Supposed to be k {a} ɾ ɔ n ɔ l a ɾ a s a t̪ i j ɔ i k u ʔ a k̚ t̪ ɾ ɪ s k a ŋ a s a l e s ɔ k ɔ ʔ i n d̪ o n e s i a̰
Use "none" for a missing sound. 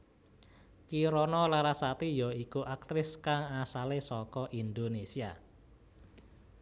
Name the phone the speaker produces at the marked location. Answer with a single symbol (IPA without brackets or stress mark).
i